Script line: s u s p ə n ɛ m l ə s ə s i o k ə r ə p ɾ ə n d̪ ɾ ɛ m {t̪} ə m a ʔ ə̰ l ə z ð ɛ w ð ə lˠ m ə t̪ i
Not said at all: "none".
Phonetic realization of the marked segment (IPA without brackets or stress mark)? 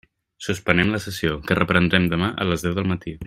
d̪